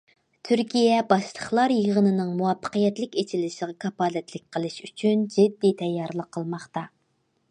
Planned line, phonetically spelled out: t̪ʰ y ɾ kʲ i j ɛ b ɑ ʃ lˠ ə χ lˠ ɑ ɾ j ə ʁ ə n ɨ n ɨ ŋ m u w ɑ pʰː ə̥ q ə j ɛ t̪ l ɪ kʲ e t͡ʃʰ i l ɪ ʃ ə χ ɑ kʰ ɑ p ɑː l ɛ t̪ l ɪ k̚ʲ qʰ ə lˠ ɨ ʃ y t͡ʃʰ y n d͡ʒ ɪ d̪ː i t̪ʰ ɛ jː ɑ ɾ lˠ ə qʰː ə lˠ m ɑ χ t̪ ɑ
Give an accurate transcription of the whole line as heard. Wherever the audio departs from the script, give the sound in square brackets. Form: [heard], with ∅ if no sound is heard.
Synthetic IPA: t̪ʰ y ɾ kʲ i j ɛ b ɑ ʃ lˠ ə χ lˠ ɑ ɾ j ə ʁ ə n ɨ n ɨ ŋ m u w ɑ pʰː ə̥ q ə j ɛ t̪ l ɪ kʲ e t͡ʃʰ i l ɪ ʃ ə [ʁ] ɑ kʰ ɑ p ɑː l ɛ t̪ l ɪ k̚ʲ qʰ ə lˠ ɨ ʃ y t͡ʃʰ y n d͡ʒ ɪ d̪ː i t̪ʰ ɛ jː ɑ ɾ lˠ ə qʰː ə lˠ m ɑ χ t̪ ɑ